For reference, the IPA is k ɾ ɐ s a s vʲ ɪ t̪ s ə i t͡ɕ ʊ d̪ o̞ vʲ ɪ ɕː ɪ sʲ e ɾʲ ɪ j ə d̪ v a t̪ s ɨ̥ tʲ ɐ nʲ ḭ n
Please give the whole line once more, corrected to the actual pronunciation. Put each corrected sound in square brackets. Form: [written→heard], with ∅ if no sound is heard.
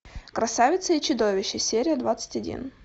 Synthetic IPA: k ɾ ɐ s a [s→∅] vʲ ɪ t̪ s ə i t͡ɕ ʊ d̪ o̞ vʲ ɪ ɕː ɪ sʲ e ɾʲ ɪ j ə d̪ v a t̪ s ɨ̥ tʲ ɐ [nʲ→dʲ] ḭ n